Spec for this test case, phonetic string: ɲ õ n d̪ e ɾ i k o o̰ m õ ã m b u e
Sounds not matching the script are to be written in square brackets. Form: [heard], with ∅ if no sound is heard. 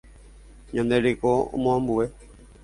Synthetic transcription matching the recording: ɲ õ n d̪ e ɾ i k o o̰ m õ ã m b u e